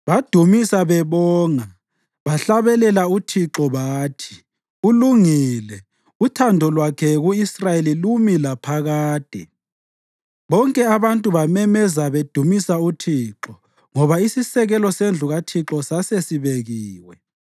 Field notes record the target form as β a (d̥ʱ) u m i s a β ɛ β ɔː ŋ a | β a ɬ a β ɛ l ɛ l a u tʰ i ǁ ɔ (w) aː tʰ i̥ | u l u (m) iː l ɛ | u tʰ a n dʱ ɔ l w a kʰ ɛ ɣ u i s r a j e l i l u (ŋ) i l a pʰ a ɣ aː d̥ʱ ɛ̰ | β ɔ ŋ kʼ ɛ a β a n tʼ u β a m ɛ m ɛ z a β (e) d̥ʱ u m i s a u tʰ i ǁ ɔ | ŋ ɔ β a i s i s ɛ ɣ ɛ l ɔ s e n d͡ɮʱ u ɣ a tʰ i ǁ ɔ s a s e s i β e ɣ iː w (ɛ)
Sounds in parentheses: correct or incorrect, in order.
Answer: correct, incorrect, incorrect, incorrect, correct, correct

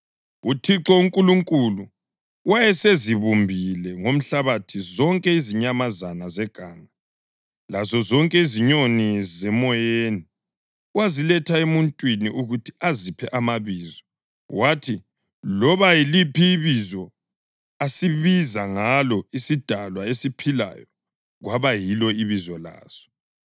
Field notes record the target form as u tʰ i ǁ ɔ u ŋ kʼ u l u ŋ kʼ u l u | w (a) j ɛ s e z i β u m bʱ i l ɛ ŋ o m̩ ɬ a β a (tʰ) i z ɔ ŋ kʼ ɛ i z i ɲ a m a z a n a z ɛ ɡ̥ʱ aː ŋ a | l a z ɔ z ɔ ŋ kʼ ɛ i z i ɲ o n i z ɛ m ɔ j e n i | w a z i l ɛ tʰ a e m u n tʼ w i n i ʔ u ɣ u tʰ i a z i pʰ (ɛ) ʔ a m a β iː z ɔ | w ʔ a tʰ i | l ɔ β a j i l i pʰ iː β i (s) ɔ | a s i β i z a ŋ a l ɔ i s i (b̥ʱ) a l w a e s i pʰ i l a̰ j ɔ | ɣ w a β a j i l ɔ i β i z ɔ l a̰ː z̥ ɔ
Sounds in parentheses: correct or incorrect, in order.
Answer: correct, correct, correct, incorrect, incorrect

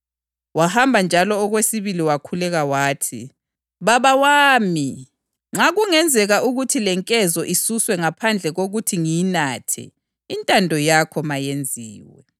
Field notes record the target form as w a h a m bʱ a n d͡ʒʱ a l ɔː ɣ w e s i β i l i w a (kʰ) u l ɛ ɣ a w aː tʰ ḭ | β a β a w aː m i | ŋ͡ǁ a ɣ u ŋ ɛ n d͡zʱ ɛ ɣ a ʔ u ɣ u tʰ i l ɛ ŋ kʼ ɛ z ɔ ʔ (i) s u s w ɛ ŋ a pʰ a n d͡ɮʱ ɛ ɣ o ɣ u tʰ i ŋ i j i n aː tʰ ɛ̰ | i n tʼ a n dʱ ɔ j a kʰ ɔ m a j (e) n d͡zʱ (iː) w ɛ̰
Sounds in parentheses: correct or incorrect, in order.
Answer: correct, correct, correct, correct

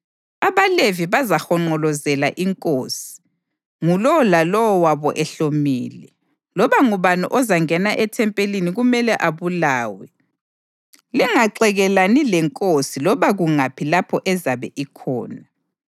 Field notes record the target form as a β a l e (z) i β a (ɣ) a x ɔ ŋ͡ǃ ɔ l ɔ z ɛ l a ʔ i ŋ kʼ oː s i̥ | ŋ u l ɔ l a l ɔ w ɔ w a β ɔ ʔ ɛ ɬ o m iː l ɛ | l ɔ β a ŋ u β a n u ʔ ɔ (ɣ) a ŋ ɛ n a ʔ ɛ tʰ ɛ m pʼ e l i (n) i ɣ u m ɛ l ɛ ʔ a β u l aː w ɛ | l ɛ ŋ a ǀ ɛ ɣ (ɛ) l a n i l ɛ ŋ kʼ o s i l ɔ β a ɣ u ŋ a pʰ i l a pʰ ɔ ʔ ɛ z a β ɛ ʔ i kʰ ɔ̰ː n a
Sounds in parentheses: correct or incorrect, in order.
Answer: incorrect, incorrect, incorrect, correct, correct

